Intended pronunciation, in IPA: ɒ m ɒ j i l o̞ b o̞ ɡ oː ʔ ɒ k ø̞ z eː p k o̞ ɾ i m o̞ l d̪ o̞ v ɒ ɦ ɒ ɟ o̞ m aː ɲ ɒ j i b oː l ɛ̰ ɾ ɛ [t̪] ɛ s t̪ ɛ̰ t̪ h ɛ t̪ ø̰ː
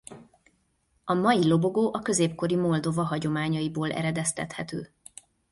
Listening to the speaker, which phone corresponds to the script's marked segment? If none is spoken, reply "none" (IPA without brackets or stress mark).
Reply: d̪